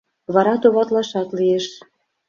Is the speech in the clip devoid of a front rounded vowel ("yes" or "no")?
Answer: yes